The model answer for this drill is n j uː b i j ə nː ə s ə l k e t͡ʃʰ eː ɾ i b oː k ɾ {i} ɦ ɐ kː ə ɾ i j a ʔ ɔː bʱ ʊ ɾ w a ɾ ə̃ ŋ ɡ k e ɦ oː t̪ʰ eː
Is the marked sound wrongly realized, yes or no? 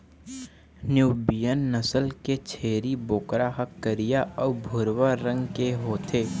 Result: yes